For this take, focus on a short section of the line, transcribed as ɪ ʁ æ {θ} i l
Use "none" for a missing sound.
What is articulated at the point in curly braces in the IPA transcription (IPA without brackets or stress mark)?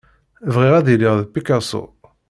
ð